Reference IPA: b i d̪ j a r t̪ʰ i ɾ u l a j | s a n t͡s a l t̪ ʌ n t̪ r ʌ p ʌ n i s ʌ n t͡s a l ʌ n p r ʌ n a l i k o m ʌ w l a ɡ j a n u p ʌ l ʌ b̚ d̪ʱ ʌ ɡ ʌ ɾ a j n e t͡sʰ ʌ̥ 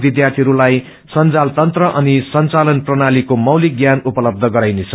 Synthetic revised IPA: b i d̪ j a r t̪ʰ i ɾ u l a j | s ʌ n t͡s a l t̪ ʌ n t̪ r ʌ ʔ ʌ n i s ʌ n t͡s a l ʌ n p r ʌ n a l i k o m ʌ w l i ɡ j a n u p ʌ l ʌ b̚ d̪ʱ ʌ ɡ ʌ ɾ a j n e t͡sʰ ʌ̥